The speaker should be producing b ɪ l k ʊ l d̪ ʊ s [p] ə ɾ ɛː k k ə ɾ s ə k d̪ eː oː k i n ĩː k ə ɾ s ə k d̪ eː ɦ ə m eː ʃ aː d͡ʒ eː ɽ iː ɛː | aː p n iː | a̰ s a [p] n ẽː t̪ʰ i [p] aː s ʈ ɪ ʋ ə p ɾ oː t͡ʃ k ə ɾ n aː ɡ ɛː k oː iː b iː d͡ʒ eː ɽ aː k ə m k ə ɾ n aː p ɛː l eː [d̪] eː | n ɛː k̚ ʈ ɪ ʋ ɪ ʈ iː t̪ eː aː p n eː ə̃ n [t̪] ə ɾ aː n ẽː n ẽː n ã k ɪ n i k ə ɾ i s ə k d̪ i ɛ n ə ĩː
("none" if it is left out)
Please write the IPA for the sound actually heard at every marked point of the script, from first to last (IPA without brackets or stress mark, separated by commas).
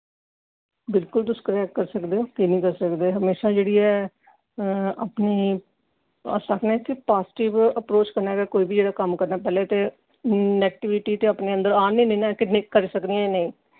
k, k, p, t̪, d̪